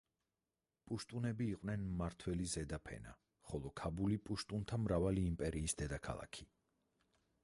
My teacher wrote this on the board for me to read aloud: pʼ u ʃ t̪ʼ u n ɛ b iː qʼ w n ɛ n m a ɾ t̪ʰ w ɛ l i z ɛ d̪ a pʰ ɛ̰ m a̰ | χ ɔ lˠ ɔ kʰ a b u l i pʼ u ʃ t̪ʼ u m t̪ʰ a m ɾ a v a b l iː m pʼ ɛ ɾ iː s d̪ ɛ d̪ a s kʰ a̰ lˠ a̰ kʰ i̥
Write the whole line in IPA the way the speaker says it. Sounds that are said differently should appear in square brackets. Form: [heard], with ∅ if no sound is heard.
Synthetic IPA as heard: pʼ u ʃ t̪ʼ u n ɛ b iː qʼ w n ɛ n m a ɾ t̪ʰ w ɛ l i z ɛ d̪ a pʰ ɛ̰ [n] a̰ | χ ɔ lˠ ɔ kʰ a b u l i pʼ u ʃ t̪ʼ u [n] t̪ʰ a m ɾ a v a [∅] l iː m pʼ ɛ ɾ iː s d̪ ɛ d̪ a [∅] kʰ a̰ lˠ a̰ kʰ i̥